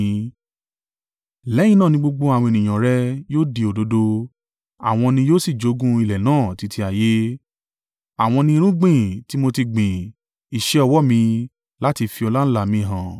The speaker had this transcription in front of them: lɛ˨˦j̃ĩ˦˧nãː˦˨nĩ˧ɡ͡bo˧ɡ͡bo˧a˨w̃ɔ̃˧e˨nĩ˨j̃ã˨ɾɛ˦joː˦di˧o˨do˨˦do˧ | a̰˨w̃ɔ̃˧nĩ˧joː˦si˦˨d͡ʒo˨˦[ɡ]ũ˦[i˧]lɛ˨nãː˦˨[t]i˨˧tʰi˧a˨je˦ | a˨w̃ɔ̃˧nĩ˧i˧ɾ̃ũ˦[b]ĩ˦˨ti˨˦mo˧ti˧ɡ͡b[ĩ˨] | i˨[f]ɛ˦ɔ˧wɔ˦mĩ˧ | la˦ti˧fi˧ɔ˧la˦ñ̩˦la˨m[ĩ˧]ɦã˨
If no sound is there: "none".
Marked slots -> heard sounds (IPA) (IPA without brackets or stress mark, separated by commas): ɡ, i˧, t, ɡ͡b, ĩ˨, ʃ, ĩ˧